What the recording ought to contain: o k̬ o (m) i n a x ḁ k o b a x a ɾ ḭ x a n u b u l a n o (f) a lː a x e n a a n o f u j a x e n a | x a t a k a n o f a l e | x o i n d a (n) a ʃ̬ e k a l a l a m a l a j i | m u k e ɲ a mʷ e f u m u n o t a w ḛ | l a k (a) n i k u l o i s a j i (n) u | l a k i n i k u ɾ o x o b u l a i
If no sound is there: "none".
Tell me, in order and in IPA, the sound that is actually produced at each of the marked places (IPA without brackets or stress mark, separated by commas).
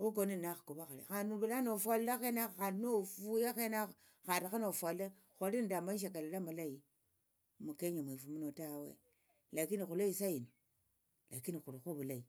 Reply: n, f, m, i, n